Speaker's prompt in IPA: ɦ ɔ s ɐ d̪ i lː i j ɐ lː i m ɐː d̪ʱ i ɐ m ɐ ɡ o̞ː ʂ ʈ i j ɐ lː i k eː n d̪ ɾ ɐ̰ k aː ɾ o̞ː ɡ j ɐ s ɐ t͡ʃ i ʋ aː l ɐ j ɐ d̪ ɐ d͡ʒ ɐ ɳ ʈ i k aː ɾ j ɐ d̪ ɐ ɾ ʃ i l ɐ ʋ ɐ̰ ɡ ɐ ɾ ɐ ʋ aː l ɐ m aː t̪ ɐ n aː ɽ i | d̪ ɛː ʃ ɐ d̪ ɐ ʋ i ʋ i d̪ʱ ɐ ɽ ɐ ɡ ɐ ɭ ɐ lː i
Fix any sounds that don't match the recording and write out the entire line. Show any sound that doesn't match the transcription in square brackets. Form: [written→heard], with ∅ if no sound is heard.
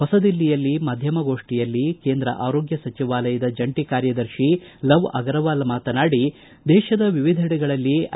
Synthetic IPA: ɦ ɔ s ɐ d̪ i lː i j ɐ lː i m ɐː d̪ʱ [i→j] ɐ m ɐ ɡ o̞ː ʂ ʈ i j ɐ lː i k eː n d̪ ɾ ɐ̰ [k→ʔ] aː ɾ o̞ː ɡ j ɐ s ɐ t͡ʃ i ʋ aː l ɐ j ɐ d̪ ɐ d͡ʒ ɐ ɳ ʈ i k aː ɾ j ɐ d̪ ɐ ɾ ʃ i l ɐ ʋ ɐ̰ ɡ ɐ ɾ ɐ ʋ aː l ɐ m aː t̪ ɐ n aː ɽ i | d̪ ɛː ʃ ɐ d̪ ɐ ʋ i ʋ i d̪ʱ ɐ ɽ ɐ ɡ ɐ ɭ ɐ lː i